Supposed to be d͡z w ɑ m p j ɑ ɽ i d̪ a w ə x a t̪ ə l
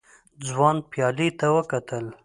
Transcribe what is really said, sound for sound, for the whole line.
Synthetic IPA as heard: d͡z w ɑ n p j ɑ l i t̪ a w ə k a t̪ ə l